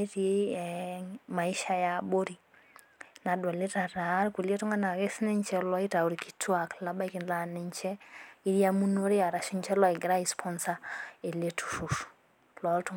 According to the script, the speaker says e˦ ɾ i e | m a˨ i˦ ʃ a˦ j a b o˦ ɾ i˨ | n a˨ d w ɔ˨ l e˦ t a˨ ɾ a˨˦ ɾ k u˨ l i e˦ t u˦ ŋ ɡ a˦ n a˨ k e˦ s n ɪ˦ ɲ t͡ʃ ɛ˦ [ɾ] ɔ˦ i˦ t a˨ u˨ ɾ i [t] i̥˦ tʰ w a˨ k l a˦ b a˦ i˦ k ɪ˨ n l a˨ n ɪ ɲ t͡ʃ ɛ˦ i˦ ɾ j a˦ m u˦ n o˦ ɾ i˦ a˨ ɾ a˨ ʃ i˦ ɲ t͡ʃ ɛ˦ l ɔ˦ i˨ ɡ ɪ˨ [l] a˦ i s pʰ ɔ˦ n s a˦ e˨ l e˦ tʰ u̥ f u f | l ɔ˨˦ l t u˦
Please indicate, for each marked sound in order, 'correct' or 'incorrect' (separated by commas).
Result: incorrect, incorrect, incorrect